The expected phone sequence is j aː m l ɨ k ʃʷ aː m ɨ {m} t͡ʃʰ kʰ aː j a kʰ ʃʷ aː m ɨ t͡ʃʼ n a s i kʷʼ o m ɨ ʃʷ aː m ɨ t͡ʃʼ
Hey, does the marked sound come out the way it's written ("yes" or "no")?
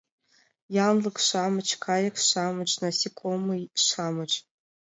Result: no